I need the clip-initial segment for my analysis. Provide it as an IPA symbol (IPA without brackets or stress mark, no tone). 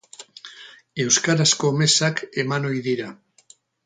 e̞